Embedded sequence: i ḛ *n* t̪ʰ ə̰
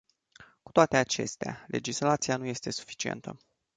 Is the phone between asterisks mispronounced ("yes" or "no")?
no